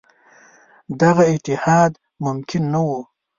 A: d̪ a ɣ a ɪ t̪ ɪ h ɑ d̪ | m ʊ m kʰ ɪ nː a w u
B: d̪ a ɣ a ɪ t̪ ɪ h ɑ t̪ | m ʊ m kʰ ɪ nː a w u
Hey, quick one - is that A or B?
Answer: A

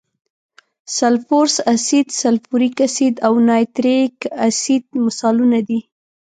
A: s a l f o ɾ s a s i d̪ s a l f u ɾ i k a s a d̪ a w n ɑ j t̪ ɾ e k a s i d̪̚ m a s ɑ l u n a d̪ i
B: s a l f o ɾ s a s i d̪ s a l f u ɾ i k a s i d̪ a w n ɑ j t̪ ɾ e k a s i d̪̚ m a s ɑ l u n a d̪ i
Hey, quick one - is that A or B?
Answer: B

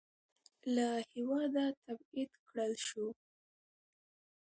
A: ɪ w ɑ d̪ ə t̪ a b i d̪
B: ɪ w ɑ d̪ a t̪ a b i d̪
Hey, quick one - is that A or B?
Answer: B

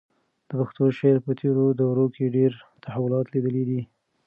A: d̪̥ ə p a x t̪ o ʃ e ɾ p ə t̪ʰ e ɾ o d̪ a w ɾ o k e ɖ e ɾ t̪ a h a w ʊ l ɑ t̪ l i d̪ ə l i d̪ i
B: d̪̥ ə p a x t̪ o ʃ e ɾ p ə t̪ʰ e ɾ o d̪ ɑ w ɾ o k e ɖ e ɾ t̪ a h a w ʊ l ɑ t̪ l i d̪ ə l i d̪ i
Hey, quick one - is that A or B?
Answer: A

